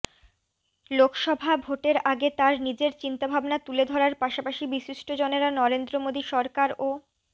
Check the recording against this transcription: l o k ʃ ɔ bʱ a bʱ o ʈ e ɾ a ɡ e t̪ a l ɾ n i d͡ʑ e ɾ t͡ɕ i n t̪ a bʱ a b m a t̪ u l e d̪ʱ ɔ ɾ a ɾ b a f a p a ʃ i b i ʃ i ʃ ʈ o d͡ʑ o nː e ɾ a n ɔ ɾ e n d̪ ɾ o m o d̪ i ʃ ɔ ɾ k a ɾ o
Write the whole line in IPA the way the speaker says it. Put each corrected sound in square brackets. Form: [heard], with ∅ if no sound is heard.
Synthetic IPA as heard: l o k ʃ ɔ bʱ a bʱ o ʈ e ɾ a ɡ e t̪ a [∅] ɾ n i d͡ʑ e ɾ t͡ɕ i n t̪ a bʱ a b [n] a t̪ u l e d̪ʱ ɔ ɾ a ɾ [p] a [ʃ] a p a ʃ i b i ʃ i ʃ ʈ o d͡ʑ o [n] e ɾ a n ɔ ɾ e n d̪ ɾ o m o d̪ i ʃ ɔ ɾ k a ɾ o